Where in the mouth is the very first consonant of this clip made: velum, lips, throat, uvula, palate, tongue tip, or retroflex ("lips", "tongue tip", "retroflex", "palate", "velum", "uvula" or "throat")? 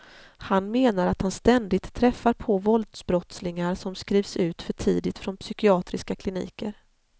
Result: throat